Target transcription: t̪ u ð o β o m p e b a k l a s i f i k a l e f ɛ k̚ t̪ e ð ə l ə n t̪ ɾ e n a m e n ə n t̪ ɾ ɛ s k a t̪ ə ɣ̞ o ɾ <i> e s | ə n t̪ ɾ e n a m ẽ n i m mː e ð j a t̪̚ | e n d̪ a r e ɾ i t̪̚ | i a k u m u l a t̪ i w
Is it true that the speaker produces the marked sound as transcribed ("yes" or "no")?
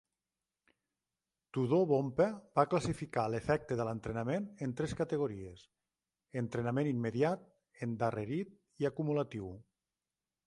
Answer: yes